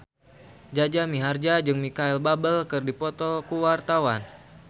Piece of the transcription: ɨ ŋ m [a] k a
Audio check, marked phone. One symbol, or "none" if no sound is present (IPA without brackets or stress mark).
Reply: i